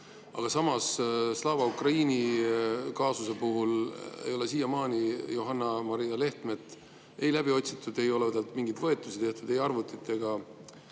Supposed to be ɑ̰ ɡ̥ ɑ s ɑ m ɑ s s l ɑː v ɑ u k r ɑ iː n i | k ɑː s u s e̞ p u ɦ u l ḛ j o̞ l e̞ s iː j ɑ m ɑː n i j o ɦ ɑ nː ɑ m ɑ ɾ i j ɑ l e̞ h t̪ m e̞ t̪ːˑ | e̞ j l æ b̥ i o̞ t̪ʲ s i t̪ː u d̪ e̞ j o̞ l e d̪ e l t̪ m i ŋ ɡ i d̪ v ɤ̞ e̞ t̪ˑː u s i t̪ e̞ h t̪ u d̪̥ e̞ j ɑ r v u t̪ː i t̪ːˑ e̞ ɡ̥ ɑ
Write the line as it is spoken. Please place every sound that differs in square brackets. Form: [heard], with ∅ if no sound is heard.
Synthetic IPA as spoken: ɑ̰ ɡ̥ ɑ s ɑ m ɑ s s l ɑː v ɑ u k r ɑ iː n i | k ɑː s u s e̞ p u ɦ u l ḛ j o̞ l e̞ s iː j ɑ m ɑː n i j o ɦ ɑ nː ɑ m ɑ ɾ i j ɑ l e̞ h t̪ m e̞ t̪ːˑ | e̞ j l æ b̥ i o̞ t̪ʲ s i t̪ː u d̪ e̞ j o̞ l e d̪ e l t̪ m i ŋ ɡ i d̪ v ɤ̞ e̞ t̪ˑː u s i t̪ e̞ h t̪ u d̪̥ e̞ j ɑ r v u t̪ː i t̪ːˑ e̞ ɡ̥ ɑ